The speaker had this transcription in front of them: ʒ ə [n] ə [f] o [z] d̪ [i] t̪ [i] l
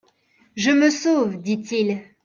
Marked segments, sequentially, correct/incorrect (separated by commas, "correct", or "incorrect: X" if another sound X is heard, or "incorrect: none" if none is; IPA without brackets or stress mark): incorrect: m, incorrect: s, incorrect: v, correct, correct